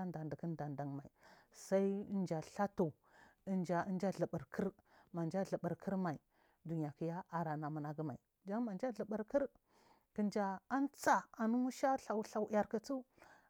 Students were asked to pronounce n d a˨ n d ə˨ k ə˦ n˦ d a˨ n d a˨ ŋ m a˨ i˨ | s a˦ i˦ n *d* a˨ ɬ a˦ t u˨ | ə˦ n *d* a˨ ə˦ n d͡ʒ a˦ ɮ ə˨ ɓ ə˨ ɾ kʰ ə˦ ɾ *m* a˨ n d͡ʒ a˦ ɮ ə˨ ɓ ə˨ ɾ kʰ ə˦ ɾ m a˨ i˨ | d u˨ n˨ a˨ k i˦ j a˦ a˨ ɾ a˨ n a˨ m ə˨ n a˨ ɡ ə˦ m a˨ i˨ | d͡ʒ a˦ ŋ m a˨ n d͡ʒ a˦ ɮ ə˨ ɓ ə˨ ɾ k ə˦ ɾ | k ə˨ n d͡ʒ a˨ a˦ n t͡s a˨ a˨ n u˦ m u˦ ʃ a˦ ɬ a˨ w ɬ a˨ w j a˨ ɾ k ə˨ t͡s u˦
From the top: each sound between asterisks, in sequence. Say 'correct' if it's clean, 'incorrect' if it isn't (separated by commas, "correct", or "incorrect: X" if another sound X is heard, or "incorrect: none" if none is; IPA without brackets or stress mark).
incorrect: d͡ʒ, incorrect: d͡ʒ, correct